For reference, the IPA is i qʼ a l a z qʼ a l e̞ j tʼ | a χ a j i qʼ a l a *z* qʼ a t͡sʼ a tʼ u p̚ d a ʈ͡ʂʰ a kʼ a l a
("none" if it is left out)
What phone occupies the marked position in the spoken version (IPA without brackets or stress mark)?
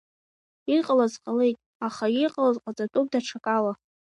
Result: z